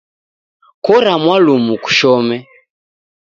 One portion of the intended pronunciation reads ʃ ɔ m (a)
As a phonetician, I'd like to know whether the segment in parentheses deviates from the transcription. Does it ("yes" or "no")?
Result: yes